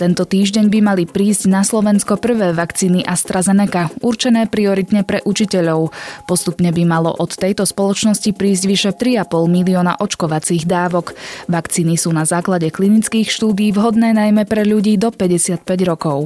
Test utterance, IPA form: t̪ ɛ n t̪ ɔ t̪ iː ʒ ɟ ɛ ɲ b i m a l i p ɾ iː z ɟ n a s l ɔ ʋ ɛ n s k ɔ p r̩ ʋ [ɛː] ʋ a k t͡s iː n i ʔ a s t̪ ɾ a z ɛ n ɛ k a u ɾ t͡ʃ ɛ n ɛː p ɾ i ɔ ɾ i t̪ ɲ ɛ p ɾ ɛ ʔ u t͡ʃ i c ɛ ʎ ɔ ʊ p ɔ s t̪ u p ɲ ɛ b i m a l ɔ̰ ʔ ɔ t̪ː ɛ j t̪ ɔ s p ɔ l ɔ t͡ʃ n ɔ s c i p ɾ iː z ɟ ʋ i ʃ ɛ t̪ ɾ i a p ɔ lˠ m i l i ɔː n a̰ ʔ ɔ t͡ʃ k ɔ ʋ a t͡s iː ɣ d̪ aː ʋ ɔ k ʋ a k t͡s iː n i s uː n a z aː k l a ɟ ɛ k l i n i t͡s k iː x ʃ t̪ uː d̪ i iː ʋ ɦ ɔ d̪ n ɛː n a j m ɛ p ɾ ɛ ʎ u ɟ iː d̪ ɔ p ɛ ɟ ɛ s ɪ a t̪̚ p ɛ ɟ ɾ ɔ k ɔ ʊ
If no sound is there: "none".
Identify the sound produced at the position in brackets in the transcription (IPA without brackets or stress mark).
ɛː